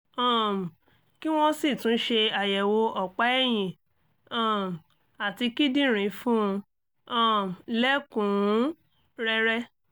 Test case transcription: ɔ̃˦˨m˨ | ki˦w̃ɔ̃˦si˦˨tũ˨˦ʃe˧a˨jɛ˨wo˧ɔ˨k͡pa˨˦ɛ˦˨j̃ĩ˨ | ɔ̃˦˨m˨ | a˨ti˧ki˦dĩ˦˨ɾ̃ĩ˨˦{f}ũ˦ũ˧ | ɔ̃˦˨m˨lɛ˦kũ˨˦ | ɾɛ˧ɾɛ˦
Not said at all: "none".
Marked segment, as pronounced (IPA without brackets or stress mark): f